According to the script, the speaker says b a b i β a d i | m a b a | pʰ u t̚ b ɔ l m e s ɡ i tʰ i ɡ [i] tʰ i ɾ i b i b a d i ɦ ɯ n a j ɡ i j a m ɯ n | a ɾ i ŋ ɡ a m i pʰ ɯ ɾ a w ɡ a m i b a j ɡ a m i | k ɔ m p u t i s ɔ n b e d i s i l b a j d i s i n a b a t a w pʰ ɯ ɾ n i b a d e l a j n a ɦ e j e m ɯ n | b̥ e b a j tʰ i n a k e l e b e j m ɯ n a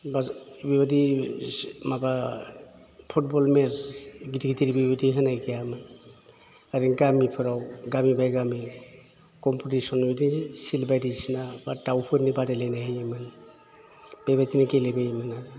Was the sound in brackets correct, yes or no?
yes